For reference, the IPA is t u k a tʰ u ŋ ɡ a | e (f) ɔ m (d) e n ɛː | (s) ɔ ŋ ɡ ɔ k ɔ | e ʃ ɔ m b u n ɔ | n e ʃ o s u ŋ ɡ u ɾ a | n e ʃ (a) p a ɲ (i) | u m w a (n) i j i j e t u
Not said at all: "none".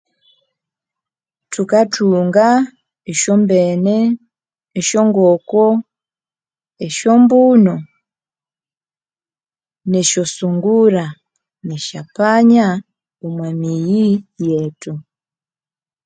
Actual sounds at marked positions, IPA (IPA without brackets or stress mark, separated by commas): ʃ, b, ʃ, a, a, m